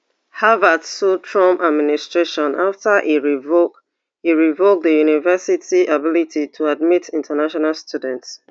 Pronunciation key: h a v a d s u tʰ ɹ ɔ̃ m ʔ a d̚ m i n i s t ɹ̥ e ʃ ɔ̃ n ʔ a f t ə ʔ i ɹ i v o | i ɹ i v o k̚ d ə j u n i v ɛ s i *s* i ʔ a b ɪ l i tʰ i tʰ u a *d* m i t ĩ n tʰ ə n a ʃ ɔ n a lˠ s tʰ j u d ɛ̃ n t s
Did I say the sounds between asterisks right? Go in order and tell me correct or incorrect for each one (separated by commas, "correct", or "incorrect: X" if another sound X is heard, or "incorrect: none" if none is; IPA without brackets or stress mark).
incorrect: t, correct